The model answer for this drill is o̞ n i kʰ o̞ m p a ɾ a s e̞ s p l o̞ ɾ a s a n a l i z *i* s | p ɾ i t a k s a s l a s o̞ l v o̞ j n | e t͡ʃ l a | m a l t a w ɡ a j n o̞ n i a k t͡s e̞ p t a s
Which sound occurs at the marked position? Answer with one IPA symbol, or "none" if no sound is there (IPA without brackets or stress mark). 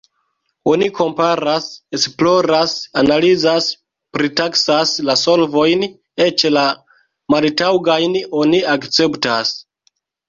a